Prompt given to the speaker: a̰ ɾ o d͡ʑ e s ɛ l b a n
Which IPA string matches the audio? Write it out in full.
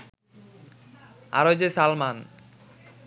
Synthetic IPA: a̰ ɾ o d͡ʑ e s a l m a n